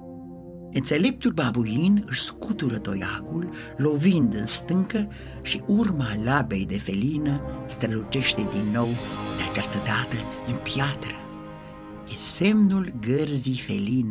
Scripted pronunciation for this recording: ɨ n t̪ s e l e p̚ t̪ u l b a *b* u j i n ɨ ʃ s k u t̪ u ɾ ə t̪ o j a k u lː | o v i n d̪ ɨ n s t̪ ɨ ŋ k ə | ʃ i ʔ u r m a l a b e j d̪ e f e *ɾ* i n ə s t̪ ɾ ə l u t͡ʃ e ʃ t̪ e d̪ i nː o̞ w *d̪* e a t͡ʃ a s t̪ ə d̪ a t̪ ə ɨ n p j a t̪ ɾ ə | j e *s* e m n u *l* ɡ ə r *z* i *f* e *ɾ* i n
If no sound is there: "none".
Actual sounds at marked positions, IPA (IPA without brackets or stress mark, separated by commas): b, l, d̪, s, l, z, f, l